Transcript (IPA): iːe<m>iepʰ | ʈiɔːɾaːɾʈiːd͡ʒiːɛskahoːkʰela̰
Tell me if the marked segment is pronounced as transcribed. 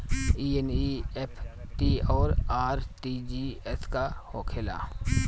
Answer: no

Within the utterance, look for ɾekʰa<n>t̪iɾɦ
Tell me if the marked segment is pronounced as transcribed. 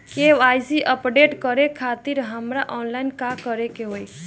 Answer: no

